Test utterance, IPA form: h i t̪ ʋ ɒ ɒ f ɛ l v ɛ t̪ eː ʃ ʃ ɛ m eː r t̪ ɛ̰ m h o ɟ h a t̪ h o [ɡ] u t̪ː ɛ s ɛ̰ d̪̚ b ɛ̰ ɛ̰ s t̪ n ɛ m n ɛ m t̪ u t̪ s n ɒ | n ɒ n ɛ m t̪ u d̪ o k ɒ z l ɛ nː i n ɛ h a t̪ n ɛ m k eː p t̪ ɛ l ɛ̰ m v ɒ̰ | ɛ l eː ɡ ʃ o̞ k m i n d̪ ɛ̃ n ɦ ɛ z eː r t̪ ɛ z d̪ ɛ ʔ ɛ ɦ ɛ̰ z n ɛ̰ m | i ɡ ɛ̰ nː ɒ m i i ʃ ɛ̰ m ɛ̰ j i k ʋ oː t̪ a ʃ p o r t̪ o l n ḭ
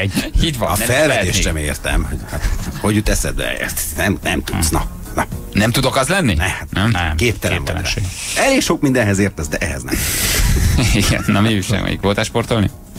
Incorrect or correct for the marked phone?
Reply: incorrect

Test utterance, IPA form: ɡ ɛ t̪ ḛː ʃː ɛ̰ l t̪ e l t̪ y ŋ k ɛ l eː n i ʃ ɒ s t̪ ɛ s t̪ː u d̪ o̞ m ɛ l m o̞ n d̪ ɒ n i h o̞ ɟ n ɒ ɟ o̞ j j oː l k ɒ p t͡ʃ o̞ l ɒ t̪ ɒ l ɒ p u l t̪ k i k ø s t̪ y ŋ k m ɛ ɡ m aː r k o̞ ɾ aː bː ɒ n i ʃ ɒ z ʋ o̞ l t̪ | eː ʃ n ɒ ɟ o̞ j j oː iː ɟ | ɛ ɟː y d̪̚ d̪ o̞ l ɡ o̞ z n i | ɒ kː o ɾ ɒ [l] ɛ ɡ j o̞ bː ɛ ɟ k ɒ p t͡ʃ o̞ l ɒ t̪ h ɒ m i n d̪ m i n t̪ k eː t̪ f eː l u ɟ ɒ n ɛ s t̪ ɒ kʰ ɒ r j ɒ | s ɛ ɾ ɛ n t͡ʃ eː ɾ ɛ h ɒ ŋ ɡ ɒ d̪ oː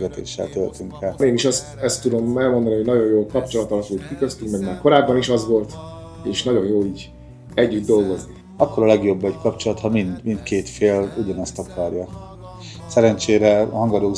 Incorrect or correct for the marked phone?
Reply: correct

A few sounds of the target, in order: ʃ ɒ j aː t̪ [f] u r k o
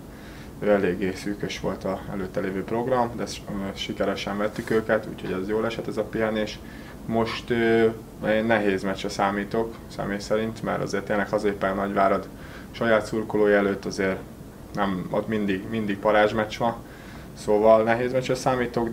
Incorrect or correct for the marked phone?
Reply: incorrect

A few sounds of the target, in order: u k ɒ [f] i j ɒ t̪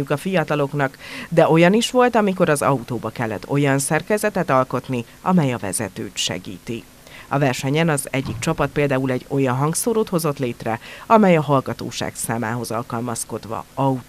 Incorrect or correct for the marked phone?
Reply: correct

